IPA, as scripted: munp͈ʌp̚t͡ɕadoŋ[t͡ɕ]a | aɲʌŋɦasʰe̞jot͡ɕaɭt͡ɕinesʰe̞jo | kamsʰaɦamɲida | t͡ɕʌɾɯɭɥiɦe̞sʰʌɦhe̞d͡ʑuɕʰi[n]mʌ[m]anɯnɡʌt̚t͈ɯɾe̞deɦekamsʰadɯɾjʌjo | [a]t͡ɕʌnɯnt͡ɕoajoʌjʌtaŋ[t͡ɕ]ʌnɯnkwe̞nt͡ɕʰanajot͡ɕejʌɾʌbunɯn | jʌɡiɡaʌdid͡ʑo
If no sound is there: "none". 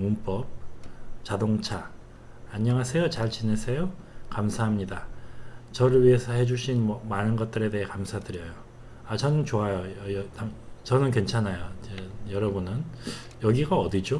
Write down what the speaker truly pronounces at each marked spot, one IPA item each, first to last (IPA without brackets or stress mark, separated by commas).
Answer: t͡ɕʰ, n, m, a, t͡ɕ